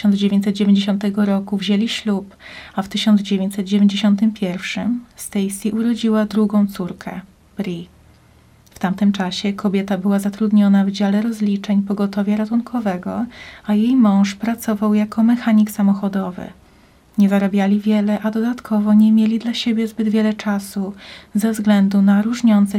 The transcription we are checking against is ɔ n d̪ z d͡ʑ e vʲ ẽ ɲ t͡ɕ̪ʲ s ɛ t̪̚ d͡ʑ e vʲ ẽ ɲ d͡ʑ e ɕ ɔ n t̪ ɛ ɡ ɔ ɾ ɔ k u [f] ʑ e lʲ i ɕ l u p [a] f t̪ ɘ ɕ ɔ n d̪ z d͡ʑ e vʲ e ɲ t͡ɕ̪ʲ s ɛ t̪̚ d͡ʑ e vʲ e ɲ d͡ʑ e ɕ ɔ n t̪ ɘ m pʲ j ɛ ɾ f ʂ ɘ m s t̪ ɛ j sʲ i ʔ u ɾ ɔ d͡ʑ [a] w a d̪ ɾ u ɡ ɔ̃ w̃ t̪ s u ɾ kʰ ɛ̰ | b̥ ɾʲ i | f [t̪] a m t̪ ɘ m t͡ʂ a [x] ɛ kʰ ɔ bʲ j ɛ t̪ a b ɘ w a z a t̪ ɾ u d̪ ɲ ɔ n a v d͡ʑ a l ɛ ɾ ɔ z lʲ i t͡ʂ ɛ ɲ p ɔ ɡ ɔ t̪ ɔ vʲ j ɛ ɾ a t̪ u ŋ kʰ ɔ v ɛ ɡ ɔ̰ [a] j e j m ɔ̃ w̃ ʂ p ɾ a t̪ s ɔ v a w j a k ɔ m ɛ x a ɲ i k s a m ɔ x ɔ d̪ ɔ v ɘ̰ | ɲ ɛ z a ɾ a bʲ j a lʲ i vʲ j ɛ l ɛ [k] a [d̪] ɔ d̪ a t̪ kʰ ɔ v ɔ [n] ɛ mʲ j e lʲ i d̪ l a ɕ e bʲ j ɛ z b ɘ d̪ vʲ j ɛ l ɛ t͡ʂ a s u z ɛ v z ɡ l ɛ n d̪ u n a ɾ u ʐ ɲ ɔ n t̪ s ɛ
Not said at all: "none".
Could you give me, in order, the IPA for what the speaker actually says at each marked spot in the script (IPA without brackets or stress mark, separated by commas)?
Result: v, a, i, t̪, ɕ, a, ʔ, d̪, ɲ